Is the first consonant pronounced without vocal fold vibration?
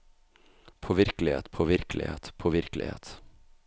yes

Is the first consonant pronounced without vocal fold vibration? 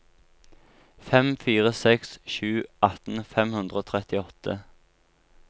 yes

